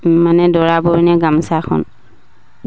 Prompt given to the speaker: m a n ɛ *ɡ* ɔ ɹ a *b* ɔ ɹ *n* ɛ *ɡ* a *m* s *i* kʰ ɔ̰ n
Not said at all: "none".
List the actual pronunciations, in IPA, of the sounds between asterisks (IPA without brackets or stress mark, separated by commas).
d, b, n, ɡ, m, a